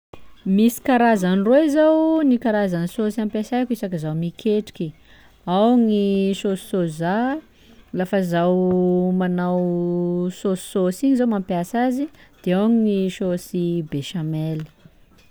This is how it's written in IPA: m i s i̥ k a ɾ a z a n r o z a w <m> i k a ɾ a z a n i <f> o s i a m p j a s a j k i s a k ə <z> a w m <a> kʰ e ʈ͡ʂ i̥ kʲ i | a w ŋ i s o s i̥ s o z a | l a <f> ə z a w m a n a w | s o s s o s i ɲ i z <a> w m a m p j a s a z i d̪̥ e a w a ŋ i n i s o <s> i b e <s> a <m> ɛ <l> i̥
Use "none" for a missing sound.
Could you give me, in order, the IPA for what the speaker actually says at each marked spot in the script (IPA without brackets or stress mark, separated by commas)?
n, s, z, i, f, a, s, ʃ, m, l